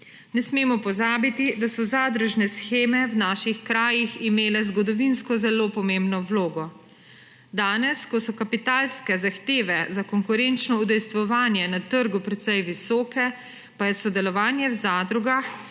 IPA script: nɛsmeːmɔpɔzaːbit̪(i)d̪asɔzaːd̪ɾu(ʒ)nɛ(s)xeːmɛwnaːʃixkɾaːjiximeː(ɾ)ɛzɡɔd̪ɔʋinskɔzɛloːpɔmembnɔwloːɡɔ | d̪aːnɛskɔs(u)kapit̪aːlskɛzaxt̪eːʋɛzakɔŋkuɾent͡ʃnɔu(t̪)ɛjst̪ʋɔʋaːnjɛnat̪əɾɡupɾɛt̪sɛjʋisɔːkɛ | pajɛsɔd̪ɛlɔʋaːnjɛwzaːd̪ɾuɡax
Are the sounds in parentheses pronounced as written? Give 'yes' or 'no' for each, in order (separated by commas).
yes, yes, yes, no, no, no